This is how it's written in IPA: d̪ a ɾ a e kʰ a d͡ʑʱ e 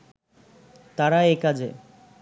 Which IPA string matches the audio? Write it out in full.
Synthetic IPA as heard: t̪ a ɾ a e k a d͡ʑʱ e